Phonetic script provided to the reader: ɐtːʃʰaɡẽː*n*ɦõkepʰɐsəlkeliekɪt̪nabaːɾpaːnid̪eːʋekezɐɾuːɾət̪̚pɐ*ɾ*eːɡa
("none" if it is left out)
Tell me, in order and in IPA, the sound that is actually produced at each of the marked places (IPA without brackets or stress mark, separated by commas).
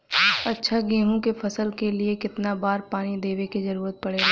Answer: none, ɽ